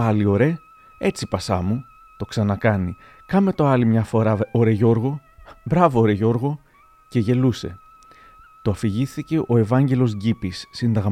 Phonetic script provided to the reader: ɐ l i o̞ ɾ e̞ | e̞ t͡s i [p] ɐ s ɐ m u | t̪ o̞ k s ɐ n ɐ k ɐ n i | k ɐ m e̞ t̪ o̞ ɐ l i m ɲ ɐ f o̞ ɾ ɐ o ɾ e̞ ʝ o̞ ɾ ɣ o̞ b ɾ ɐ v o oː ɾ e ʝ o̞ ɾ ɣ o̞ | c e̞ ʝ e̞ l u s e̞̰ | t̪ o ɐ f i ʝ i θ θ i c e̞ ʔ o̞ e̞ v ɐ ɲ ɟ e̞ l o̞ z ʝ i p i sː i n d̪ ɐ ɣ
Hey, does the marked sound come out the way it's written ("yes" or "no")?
yes